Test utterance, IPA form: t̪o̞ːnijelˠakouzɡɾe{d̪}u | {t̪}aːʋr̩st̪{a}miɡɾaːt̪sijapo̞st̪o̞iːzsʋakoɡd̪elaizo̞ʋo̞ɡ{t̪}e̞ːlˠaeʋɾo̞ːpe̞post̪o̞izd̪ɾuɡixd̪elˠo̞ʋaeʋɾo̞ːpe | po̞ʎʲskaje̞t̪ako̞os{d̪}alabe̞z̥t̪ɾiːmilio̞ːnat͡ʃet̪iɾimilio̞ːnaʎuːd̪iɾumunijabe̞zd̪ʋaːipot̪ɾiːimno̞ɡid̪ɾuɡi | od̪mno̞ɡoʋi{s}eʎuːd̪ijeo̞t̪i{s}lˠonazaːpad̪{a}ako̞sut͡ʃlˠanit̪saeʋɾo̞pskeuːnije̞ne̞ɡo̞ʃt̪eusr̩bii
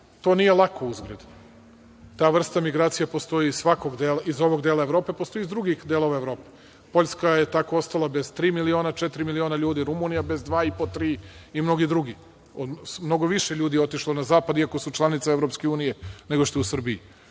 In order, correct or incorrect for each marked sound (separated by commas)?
correct, correct, correct, incorrect, incorrect, incorrect, incorrect, incorrect